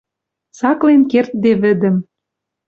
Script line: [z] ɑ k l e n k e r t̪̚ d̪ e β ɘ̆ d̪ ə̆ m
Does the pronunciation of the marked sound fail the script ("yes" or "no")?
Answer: yes